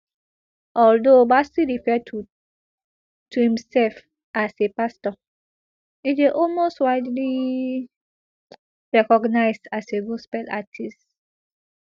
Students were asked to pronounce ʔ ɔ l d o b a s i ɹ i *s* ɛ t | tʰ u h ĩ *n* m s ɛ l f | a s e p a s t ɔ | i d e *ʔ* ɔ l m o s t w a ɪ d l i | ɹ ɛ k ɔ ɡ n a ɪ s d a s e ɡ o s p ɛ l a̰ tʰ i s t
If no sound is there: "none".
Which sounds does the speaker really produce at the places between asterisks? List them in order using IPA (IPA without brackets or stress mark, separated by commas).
f, none, ʔ